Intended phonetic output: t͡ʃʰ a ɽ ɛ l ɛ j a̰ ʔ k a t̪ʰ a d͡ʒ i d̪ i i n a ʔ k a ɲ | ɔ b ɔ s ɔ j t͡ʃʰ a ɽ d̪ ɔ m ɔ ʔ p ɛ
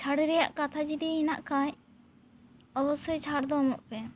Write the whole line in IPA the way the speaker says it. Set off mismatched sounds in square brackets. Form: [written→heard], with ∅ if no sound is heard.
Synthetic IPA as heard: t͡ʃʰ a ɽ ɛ [l→ɾ] ɛ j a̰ ʔ k a t̪ʰ a d͡ʒ i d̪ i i n a ʔ k a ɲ | ɔ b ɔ s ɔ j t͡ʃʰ a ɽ d̪ ɔ m ɔ ʔ p ɛ